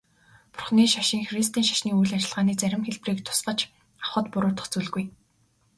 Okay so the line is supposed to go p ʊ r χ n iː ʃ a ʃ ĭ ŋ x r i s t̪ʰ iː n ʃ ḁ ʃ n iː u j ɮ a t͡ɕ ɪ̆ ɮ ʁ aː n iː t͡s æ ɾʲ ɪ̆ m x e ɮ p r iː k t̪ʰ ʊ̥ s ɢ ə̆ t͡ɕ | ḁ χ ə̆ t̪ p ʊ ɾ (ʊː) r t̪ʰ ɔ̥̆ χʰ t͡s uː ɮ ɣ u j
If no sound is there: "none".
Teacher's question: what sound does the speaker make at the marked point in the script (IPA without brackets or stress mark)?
ʊː